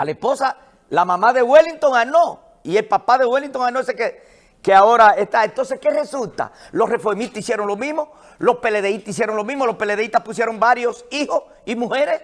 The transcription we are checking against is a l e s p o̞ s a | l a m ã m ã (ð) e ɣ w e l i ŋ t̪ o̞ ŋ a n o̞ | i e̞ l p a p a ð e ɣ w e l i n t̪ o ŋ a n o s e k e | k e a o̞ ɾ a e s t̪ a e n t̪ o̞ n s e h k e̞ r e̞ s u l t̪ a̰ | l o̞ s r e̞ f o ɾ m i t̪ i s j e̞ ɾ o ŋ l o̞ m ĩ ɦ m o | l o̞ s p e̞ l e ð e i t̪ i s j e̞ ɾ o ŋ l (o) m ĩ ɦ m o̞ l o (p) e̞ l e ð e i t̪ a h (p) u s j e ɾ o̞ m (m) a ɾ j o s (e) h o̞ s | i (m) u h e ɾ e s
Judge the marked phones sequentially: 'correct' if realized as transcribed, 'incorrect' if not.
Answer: correct, correct, correct, correct, incorrect: b, incorrect: i, correct

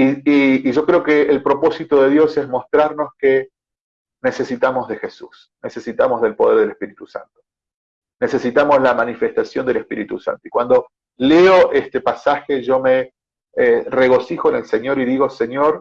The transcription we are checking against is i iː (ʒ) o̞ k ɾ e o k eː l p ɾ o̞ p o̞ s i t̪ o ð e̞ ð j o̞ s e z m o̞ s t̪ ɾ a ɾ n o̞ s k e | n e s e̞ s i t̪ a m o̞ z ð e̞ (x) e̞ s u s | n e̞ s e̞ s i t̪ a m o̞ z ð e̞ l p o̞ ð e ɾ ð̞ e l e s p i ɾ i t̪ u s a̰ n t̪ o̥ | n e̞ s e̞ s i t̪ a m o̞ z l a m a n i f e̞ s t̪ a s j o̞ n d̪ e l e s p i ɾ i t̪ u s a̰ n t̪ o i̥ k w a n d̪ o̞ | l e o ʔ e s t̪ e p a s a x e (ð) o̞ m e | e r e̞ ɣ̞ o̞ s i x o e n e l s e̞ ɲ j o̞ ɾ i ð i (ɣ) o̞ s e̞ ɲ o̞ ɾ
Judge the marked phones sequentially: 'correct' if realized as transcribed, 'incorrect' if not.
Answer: correct, correct, incorrect: ʒ, correct

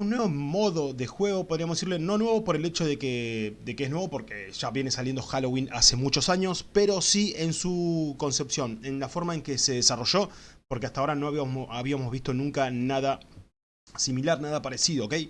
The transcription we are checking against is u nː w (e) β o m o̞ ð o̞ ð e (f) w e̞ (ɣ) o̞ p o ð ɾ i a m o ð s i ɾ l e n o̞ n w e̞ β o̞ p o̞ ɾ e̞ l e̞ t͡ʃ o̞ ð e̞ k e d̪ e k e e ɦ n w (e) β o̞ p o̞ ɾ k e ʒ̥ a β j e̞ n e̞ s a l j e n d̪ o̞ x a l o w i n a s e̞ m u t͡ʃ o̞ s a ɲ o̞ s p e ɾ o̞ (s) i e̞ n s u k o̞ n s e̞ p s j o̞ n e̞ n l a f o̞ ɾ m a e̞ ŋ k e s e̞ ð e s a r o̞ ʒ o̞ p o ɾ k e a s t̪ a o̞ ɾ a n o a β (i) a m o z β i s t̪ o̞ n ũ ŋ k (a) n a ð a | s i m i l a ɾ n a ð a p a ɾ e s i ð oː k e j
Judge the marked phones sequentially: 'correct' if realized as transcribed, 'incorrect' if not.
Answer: correct, incorrect: x, correct, correct, correct, correct, correct

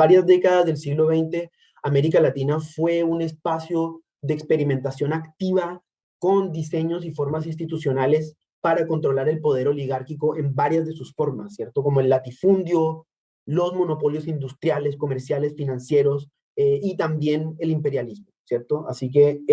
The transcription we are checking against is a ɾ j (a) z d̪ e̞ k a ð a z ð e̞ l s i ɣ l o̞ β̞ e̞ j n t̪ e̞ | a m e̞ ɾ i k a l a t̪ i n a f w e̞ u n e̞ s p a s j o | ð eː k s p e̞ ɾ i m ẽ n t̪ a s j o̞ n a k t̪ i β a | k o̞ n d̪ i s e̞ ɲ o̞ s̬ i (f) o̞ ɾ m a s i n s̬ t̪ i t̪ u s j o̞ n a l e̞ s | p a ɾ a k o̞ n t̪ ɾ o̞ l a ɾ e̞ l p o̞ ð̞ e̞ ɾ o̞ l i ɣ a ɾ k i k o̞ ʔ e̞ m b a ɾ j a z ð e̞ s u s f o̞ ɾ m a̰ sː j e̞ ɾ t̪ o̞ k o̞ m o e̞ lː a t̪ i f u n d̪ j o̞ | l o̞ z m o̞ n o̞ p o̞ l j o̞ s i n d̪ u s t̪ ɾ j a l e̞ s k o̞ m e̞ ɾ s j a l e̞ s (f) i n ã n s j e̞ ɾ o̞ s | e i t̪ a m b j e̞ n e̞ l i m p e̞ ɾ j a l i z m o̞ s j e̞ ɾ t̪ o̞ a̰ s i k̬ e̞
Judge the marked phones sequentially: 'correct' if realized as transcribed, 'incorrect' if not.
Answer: correct, correct, correct

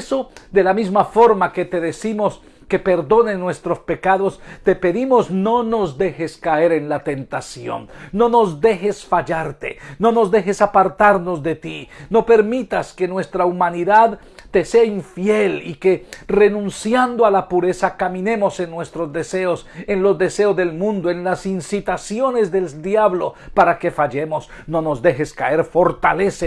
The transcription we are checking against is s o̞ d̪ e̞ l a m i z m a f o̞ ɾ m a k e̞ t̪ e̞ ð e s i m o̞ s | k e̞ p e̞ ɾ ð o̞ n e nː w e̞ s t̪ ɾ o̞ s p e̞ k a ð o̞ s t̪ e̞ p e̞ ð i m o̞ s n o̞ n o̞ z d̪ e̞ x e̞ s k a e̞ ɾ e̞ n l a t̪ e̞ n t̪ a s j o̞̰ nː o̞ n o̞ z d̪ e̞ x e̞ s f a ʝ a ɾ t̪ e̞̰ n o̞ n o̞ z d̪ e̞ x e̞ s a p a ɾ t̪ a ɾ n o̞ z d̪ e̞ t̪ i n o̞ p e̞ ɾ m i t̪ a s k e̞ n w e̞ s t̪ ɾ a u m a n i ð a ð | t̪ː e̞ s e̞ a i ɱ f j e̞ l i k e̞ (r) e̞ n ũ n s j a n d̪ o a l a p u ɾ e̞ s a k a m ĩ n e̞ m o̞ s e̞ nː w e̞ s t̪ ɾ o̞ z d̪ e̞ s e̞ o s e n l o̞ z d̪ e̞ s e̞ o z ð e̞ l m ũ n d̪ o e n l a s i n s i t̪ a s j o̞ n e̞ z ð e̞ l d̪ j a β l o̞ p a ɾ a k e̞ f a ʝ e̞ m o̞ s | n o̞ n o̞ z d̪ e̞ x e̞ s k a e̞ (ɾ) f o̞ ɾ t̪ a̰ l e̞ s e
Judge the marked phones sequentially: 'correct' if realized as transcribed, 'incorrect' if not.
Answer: correct, correct

